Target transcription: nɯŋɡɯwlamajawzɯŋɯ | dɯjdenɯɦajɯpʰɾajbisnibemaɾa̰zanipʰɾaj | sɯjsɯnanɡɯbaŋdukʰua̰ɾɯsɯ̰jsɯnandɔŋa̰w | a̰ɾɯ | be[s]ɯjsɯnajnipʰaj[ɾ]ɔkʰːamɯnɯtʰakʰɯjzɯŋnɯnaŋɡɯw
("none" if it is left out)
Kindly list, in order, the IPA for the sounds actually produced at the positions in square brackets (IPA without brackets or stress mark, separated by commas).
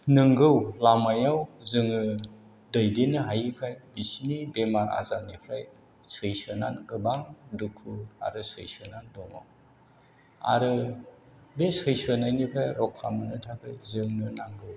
s, ɾ